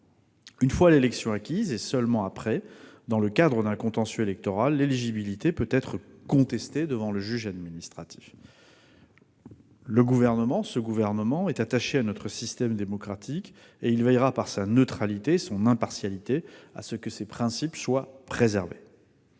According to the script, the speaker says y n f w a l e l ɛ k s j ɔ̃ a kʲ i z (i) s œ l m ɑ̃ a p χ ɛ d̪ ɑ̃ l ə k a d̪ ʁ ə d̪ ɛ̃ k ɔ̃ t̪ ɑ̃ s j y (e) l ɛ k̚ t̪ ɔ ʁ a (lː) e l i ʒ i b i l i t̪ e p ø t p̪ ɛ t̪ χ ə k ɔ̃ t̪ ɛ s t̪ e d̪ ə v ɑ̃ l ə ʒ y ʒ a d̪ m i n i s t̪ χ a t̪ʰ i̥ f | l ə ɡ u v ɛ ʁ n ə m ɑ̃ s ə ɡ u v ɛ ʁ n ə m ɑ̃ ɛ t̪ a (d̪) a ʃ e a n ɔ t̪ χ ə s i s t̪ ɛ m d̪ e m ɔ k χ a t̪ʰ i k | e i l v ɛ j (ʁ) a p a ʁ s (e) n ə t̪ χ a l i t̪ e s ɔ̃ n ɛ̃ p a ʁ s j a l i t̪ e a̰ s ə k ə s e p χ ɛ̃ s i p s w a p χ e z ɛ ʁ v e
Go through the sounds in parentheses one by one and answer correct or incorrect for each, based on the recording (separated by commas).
incorrect, correct, correct, incorrect, correct, incorrect